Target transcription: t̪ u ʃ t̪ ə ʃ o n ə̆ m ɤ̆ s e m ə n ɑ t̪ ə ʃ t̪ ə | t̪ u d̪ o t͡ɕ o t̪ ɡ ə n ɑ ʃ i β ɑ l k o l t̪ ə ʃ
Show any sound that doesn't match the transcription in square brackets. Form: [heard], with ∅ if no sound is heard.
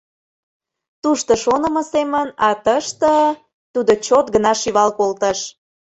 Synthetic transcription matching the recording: t̪ u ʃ t̪ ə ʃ o n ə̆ m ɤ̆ s e m ə n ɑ t̪ ə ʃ t̪ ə | t̪ u d̪ o t͡ɕ o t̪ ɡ ə n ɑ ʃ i β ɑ l k o l t̪ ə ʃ